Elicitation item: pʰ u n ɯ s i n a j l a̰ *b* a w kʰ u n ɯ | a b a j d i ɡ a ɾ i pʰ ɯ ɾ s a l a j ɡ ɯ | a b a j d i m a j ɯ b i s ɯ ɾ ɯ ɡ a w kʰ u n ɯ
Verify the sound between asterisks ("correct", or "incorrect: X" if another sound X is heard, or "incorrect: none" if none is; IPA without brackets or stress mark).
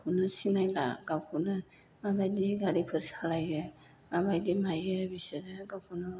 incorrect: ɡ